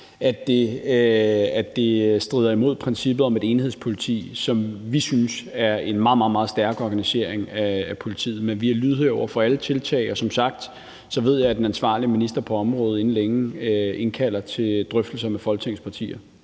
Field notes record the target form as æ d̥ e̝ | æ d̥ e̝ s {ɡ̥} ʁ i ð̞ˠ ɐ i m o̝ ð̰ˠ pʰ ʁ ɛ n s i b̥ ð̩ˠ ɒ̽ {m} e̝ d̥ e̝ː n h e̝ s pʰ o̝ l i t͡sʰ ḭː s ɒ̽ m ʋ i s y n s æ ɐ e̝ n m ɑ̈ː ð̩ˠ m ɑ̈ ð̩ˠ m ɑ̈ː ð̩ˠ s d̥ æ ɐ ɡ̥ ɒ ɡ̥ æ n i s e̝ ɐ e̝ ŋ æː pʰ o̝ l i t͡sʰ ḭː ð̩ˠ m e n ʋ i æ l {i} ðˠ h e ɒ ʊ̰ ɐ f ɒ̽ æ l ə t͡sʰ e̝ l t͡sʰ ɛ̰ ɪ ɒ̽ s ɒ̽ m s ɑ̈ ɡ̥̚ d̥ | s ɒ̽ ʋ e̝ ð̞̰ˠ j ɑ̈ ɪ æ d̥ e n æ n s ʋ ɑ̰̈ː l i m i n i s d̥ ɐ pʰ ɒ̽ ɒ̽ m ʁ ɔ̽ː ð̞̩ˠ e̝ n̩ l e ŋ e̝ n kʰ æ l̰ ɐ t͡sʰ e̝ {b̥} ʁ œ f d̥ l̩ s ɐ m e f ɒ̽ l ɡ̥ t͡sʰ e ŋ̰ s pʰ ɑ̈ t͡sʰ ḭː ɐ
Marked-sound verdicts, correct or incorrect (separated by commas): incorrect, correct, incorrect, incorrect